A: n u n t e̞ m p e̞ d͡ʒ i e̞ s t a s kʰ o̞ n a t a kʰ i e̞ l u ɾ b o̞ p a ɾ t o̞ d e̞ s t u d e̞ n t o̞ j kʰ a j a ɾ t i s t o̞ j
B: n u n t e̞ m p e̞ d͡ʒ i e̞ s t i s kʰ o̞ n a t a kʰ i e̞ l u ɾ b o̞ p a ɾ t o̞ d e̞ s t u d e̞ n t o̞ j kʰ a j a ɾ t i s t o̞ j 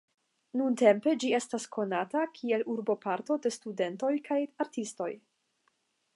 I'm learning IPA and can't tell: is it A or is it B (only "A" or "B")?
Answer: A